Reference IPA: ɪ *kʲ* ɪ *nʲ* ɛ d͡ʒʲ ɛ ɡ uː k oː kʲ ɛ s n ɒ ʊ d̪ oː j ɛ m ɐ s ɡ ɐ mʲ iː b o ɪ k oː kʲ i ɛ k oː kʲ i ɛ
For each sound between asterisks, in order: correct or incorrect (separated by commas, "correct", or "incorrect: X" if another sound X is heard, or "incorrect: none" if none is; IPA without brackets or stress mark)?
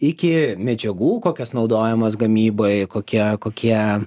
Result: correct, incorrect: mʲ